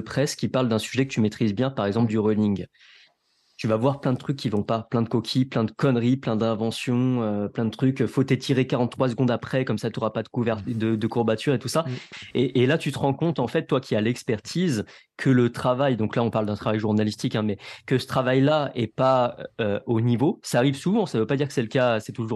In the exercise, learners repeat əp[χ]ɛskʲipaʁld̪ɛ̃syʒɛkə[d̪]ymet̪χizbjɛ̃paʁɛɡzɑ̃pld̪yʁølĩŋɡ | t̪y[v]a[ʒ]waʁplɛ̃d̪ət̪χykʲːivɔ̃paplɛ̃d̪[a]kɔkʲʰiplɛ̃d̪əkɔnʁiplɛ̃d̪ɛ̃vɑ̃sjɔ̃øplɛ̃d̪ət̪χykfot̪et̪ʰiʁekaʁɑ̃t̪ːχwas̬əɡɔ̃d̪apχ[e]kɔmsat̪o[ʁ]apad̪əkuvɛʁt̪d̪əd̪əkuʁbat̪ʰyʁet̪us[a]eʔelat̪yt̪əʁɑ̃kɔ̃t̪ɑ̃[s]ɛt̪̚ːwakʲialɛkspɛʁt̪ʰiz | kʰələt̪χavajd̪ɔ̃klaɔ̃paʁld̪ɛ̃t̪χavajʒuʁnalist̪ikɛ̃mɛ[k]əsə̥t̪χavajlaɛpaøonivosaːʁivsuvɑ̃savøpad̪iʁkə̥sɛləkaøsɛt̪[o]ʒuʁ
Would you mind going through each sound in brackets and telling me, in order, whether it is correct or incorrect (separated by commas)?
correct, incorrect, correct, incorrect, incorrect, incorrect, correct, correct, incorrect, correct, incorrect